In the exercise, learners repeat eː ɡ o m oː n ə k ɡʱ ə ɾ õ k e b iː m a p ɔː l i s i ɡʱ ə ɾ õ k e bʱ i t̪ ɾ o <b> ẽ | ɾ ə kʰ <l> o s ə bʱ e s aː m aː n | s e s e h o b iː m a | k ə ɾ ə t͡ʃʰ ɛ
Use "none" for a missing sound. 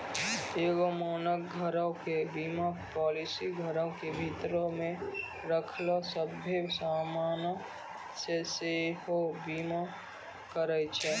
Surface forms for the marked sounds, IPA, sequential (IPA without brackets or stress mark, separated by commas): m, l